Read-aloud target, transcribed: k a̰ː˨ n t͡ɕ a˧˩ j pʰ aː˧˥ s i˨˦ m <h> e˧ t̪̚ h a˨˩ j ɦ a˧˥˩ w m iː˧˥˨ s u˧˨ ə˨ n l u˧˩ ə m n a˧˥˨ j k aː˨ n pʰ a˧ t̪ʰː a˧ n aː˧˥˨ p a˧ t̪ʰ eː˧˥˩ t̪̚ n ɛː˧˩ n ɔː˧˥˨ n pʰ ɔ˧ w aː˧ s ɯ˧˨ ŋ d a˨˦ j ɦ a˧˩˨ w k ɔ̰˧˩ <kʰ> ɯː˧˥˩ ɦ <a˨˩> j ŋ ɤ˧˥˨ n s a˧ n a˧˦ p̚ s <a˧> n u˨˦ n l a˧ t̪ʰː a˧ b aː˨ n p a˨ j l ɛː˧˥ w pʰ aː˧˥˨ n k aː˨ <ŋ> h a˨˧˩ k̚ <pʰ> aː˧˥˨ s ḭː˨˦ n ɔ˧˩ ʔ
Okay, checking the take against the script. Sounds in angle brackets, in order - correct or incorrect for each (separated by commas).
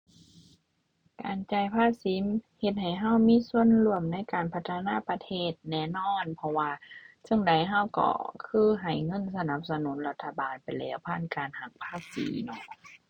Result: correct, correct, correct, correct, incorrect, correct